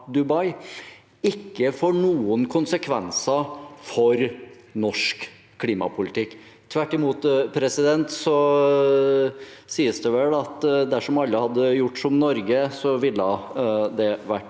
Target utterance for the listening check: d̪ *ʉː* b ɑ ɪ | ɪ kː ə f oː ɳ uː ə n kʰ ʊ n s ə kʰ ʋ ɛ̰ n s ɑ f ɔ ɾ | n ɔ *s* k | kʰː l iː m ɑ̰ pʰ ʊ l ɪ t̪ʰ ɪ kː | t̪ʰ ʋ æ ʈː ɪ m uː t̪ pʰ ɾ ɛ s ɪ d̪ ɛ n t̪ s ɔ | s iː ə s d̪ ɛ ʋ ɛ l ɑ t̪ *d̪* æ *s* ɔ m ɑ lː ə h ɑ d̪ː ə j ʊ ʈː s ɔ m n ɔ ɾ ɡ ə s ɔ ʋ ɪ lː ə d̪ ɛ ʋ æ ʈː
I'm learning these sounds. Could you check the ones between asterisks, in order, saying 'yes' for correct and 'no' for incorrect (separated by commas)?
no, no, yes, no